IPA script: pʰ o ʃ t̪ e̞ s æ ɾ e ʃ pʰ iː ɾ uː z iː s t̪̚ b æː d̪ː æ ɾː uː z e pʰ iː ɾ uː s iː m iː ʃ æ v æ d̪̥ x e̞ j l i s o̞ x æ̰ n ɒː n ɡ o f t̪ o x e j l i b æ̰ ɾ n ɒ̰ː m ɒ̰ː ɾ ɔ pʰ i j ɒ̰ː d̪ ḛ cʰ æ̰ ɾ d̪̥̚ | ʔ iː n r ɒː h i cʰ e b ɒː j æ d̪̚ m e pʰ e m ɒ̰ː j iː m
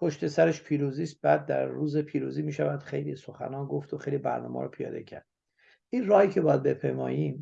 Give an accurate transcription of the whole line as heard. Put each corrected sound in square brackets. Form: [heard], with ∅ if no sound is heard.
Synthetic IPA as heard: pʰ o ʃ t̪ e̞ s æ ɾ e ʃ pʰ iː ɾ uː z iː s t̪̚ b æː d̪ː æ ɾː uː z e pʰ iː ɾ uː [z] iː m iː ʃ æ v æ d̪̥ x e̞ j l i s o̞ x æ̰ n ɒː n ɡ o f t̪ o x e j l i b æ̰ ɾ n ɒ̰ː m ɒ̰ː ɾ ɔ pʰ i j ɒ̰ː d̪ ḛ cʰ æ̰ ɾ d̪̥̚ | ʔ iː n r ɒː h i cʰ e b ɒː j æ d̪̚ [b] e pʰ e m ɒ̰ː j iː m